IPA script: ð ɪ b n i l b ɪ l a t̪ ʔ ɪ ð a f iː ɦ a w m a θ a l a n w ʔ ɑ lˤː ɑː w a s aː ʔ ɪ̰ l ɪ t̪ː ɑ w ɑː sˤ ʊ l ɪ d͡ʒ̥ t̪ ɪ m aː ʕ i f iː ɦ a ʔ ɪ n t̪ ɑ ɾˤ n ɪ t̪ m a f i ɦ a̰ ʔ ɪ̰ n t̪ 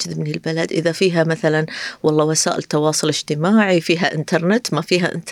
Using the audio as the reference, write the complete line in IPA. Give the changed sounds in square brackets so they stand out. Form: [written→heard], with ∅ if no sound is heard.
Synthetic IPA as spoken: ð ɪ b n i l b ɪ l a [t̪→d̪] ʔ ɪ ð a f iː ɦ a [w→∅] m a θ a l a n w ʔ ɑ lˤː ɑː w a s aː ʔ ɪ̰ l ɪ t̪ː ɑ w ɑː sˤ ʊ l ɪ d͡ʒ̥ t̪ ɪ m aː ʕ i f iː ɦ a ʔ ɪ n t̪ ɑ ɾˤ n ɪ t̪ m a f [i→iː] ɦ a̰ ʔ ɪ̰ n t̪